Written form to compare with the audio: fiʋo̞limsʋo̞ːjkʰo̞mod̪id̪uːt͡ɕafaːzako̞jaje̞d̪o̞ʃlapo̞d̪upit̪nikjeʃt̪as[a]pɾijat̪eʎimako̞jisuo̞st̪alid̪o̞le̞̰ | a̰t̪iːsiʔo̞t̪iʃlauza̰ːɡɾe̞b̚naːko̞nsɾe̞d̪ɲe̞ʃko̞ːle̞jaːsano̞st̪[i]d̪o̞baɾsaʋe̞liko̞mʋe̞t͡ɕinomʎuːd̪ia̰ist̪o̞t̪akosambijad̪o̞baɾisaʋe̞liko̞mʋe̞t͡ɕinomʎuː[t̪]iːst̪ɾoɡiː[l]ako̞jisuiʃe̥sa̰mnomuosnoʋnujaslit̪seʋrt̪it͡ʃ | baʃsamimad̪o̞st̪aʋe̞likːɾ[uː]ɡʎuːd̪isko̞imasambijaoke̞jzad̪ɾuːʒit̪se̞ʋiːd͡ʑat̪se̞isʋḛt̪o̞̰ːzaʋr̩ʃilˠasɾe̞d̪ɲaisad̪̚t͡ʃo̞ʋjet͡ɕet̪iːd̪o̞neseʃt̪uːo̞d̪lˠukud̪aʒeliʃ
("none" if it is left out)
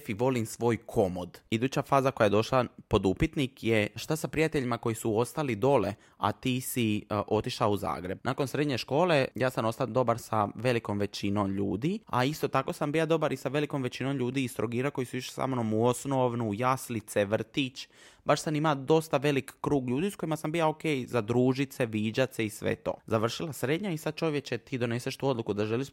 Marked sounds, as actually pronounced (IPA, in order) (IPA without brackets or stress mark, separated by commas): a, a, d̪, ɾ, uː